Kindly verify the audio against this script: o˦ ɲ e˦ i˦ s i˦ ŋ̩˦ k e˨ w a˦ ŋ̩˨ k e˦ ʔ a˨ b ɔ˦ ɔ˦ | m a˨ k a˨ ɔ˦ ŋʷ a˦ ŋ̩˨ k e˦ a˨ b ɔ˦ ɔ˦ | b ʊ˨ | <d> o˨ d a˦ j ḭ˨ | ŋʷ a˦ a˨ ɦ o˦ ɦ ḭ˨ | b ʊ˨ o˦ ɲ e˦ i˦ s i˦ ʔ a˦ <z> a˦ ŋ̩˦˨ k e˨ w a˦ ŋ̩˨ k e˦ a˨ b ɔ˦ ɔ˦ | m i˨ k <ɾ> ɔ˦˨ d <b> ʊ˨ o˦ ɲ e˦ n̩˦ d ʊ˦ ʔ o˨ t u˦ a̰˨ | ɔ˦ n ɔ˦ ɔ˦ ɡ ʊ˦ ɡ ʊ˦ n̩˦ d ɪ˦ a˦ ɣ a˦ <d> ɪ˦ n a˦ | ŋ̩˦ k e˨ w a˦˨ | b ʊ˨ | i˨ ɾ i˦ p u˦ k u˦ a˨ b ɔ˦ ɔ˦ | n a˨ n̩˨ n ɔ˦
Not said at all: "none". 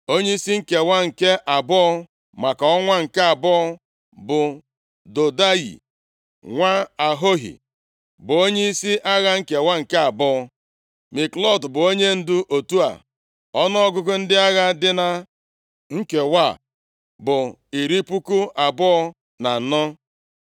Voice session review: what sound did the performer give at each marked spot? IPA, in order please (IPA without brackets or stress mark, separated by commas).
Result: d, ɣ, l, b, d